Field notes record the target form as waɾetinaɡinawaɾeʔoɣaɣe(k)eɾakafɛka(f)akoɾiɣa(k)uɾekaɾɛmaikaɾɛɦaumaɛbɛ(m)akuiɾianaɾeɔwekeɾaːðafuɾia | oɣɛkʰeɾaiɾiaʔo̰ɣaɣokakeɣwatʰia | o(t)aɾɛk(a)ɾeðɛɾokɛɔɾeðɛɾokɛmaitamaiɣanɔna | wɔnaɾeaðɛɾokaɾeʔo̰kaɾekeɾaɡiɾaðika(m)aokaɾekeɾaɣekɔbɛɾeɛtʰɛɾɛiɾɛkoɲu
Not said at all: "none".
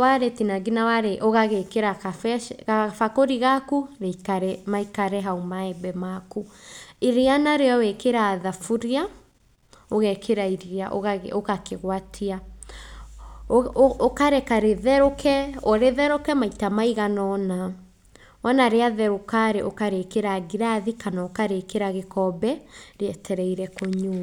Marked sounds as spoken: k, f, k, m, k, a, n

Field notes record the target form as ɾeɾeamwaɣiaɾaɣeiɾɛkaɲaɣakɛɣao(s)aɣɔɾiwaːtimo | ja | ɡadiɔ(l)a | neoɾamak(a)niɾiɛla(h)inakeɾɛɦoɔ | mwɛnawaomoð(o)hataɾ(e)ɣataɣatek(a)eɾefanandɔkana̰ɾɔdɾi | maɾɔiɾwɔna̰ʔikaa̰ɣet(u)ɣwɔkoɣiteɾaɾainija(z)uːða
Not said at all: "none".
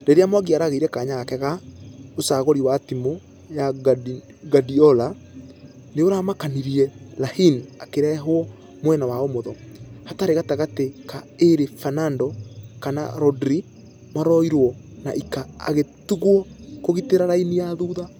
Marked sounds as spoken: s, l, a, h, ɔ, e, a, u, ð

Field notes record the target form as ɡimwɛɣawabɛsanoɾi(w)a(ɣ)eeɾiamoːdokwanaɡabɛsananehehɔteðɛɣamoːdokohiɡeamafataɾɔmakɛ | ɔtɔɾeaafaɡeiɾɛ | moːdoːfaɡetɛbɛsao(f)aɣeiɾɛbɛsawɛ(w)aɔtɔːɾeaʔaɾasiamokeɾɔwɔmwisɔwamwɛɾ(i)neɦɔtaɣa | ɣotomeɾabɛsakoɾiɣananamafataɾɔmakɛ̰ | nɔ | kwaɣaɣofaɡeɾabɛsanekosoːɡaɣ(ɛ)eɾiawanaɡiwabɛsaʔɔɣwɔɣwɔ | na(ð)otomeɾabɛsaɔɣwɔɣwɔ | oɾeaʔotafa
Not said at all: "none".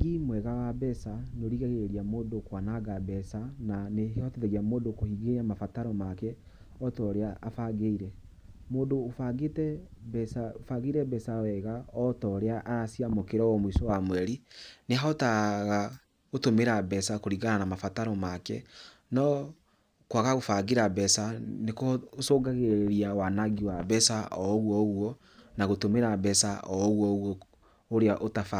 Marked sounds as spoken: ɣ, ɣ, f, ɣ, i, e, ɣ

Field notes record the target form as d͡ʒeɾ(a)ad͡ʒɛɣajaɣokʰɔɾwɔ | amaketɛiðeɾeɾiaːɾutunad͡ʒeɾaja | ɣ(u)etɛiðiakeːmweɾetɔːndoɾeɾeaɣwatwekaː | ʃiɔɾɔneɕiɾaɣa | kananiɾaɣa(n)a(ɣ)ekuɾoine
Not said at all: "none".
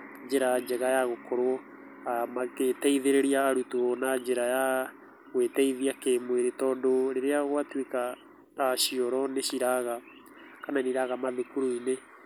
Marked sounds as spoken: a, w, m, ð

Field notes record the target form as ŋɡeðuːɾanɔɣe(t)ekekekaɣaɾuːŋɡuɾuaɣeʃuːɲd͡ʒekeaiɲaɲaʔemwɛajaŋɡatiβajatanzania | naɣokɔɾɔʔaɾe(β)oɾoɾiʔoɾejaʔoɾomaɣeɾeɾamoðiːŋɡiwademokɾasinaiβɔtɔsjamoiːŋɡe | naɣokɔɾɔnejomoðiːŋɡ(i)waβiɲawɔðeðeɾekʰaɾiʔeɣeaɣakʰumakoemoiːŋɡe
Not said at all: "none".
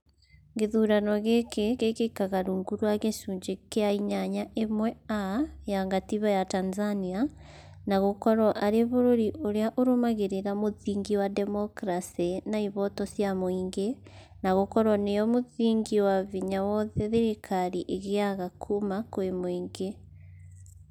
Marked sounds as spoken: k, β, i

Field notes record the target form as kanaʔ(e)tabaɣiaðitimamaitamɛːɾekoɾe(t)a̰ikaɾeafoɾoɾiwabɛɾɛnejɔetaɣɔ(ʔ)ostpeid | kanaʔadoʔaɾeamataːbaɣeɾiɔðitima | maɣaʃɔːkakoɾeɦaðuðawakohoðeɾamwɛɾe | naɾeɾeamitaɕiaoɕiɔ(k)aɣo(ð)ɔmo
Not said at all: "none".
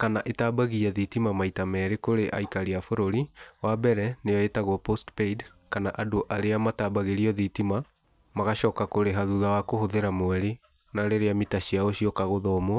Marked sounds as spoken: e, ʔ, p, k, ð

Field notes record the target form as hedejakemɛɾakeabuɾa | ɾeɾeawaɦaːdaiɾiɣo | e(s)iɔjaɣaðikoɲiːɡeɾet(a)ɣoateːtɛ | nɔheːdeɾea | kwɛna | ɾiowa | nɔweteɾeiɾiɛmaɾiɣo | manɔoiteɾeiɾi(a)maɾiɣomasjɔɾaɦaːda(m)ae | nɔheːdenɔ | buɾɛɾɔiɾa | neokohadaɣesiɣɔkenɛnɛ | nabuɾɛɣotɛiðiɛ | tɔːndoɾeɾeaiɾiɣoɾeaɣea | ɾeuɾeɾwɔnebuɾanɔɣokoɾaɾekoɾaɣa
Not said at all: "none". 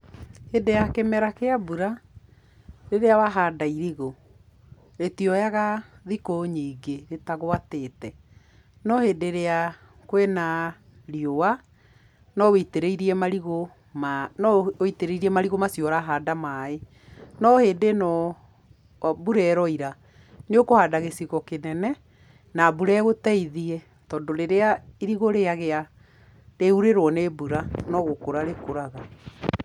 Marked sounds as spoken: t, a, ɛ, m

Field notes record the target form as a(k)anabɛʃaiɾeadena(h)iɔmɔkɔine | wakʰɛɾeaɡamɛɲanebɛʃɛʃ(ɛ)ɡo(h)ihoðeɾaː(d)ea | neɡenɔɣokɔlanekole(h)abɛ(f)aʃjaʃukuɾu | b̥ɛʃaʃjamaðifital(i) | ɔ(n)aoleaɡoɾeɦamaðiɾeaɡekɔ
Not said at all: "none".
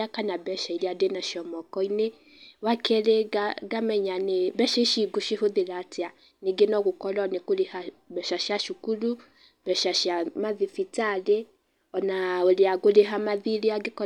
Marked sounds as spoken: k, ʃ, i, ʃ, t, h, ʃ, e, n

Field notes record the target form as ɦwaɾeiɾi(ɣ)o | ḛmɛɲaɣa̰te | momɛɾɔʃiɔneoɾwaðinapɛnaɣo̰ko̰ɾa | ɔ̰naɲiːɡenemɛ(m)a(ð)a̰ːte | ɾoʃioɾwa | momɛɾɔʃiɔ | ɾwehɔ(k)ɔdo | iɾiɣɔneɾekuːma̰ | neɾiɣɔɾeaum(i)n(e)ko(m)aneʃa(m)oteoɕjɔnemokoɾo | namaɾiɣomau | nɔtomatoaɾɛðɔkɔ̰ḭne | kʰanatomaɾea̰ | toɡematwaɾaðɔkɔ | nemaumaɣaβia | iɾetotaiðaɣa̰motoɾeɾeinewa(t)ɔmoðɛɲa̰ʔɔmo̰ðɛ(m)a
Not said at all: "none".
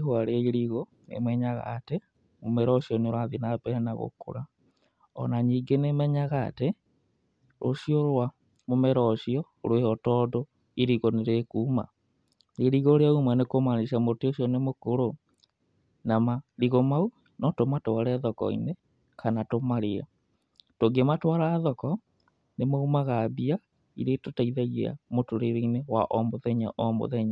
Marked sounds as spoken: ɣ, ɲ, ɣ, t, a, e, m, m, ʔ, ɲ

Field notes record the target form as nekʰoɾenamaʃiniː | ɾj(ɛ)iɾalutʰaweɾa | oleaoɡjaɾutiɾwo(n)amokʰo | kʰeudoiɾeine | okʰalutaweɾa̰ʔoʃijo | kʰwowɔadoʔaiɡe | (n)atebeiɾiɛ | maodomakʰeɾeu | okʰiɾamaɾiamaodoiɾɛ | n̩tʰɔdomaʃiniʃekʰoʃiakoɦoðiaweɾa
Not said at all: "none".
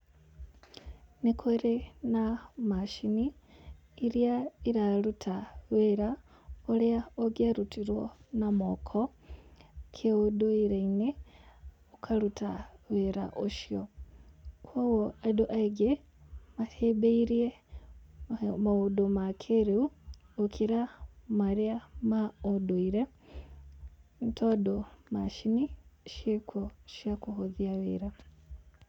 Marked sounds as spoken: a, n, m

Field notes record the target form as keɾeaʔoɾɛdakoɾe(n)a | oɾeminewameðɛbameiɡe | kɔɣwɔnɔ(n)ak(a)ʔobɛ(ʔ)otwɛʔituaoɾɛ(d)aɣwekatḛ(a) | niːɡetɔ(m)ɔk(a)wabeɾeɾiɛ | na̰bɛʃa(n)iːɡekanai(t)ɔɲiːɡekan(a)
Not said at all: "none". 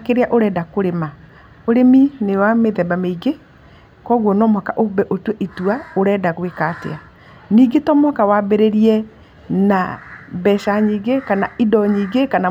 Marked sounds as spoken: m, m, a, ʔ, d, a, m, a, ɲ, d, a

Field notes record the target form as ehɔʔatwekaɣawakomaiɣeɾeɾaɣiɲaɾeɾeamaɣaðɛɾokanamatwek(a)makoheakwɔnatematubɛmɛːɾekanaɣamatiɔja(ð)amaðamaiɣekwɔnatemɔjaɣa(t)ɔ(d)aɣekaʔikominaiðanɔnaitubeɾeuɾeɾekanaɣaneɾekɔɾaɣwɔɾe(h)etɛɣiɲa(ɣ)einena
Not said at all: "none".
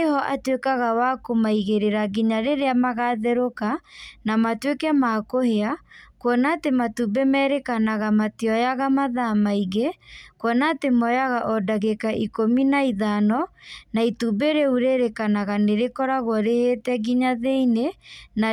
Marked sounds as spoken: ɛ, ɣ, ʔ, d, h, ð

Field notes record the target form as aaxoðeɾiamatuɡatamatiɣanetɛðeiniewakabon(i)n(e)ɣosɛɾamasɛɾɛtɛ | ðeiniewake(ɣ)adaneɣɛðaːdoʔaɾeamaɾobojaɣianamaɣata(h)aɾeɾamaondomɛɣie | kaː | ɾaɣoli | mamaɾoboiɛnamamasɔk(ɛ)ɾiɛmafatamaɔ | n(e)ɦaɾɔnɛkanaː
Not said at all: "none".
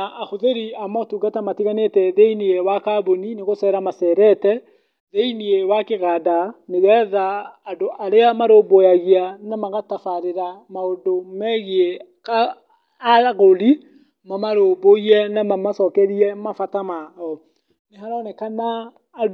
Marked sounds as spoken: i, e, ɣ, f, ɛ, e

